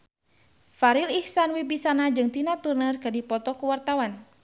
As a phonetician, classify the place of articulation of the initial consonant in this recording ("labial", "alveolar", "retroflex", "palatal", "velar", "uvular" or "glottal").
labial